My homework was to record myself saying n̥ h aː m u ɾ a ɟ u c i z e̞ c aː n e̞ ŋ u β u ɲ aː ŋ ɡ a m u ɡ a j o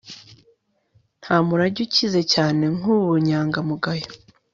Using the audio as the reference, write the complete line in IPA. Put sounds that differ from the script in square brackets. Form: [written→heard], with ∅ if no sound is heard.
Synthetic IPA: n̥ h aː m u ɾ a ɟ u c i z e̞ c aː n e̞ ŋ u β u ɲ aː ŋ ɡ a m u ɡ a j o

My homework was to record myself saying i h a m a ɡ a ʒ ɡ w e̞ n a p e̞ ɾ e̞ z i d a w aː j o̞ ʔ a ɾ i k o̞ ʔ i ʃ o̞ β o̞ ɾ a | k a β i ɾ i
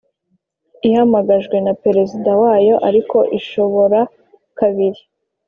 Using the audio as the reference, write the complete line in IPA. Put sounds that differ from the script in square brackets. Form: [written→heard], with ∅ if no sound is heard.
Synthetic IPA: i h a m a ɡ a ʒ ɡ w e̞ n a p e̞ ɾ e̞ z i d a w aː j o̞ ʔ a ɾ i k o̞ ʔ i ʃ o̞ β o̞ ɾ a | k a β i ɾ i

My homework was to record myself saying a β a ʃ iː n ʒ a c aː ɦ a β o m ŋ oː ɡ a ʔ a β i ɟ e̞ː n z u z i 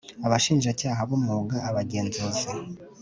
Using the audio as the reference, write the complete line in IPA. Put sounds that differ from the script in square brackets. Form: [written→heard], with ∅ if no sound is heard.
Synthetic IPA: a β a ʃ iː n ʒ a c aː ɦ a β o m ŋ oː ɡ a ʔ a β [i→a] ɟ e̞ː n z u z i

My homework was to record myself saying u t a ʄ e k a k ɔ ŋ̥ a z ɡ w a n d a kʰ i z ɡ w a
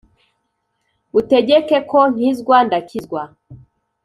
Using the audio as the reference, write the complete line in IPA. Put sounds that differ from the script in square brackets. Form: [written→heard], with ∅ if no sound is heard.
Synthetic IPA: u t [a→ɛ] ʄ [e→ɛ] k [a→ɛ] k ɔ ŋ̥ [a→i] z ɡ w a n d a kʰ i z ɡ w a

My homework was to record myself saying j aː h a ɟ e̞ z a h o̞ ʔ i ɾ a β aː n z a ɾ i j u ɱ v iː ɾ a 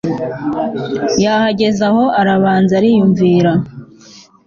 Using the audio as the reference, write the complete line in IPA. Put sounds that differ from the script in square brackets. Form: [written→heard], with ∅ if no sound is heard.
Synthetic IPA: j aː h a ɟ e̞ z a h o̞ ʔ [i→a] ɾ a β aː n z a ɾ i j u ɱ v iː ɾ a

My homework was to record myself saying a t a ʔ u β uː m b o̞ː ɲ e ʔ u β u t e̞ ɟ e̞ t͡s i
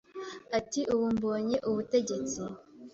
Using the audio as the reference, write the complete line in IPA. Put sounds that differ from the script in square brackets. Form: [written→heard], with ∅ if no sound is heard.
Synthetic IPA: a t [a→i] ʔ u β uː m b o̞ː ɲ e ʔ u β u t e̞ ɟ e̞ t͡s i

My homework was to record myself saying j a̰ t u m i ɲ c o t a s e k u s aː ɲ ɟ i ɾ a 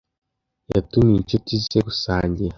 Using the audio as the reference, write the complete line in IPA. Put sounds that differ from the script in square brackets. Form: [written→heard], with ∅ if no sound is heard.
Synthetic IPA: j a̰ t u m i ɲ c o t [a→i] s e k u s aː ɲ ɟ i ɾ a

